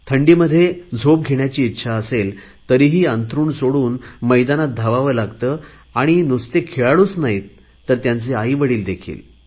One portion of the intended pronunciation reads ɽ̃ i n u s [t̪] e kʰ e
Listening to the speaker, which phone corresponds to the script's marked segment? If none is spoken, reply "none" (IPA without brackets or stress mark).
t̪